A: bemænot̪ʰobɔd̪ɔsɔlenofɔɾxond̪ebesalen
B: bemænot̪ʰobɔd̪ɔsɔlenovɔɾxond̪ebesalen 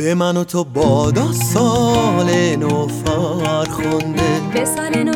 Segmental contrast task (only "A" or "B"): A